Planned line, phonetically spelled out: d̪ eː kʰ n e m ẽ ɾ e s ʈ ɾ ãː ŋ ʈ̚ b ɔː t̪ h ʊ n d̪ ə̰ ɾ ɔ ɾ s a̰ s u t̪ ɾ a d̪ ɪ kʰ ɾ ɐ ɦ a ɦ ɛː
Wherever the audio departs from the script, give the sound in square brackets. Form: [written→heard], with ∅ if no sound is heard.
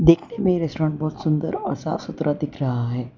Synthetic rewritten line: d̪ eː kʰ n e m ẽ ɾ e s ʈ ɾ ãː [ŋ→ɳ] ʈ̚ b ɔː t̪ [h→s] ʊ n d̪ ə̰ ɾ ɔ ɾ s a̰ s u t̪ ɾ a d̪ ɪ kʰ ɾ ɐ ɦ a ɦ ɛː

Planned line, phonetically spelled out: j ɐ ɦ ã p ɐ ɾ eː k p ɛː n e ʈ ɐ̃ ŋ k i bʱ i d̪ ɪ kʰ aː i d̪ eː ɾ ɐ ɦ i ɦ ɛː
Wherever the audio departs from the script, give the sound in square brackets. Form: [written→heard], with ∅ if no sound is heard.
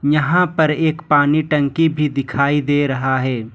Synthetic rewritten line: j ɐ ɦ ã p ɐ ɾ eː k p [ɛː→aː] n [e→i] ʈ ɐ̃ ŋ k i bʱ i d̪ ɪ kʰ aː i d̪ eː ɾ ɐ ɦ [i→a] ɦ ɛː

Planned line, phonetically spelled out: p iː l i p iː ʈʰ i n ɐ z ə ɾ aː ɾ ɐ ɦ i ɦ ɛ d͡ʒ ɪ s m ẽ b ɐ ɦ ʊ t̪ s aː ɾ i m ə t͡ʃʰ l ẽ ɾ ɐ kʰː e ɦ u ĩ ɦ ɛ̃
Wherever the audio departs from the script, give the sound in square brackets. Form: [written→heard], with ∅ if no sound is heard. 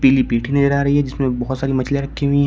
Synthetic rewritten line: p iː l i p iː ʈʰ i n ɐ z ə ɾ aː ɾ ɐ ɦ i ɦ ɛ d͡ʒ ɪ s m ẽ b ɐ ɦ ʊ t̪ s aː ɾ i m [ə→ɐ] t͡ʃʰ l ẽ ɾ ɐ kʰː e ɦ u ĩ ɦ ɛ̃

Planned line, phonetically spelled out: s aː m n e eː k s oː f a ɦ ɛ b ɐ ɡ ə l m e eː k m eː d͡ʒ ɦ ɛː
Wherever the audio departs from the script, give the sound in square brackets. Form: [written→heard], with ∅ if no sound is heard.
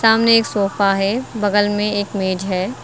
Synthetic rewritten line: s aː m n e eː k s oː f a ɦ ɛ b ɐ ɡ ə l m [e→ẽ] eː k m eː d͡ʒ ɦ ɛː

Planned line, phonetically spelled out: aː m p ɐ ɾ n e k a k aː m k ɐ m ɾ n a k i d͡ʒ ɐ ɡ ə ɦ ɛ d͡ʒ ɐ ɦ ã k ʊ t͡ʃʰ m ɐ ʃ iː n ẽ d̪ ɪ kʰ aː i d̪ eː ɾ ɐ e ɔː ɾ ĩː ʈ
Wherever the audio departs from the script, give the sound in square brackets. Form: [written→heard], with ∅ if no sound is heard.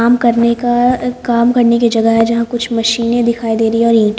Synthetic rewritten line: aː m [p→k] ɐ ɾ n e k a k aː m k ɐ [m→∅] ɾ n [a→e] k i d͡ʒ ɐ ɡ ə ɦ ɛ d͡ʒ ɐ ɦ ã k ʊ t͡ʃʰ m ɐ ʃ iː n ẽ d̪ ɪ kʰ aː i d̪ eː ɾ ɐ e ɔː ɾ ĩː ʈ

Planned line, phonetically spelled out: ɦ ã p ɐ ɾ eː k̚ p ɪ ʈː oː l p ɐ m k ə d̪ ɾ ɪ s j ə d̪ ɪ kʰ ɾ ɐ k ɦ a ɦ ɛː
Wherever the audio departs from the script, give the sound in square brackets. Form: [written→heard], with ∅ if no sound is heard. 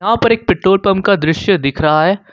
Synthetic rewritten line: ɦ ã p ɐ ɾ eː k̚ p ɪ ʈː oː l p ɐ m k [ə→a] d̪ ɾ ɪ [s→ʃ] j ə d̪ ɪ kʰ ɾ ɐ [k→∅] ɦ a ɦ ɛː

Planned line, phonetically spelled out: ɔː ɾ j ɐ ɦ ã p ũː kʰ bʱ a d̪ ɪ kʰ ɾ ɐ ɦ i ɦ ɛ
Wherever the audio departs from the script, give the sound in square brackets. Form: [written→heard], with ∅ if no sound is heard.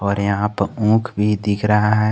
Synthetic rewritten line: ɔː ɾ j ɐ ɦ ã p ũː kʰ bʱ [a→i] d̪ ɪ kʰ ɾ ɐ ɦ [i→a] ɦ ɛ

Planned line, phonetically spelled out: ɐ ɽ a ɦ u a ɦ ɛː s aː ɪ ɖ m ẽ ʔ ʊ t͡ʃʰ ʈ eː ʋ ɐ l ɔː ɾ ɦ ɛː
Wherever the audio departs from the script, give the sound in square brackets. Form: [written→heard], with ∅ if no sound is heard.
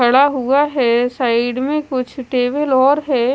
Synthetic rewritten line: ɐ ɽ a ɦ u a ɦ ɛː s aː ɪ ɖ m ẽ [ʔ→k] ʊ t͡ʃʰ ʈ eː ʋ [ɐ→ə] l ɔː ɾ ɦ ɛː

